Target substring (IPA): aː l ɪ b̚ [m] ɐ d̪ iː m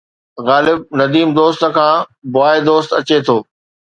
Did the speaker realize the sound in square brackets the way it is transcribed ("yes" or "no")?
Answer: no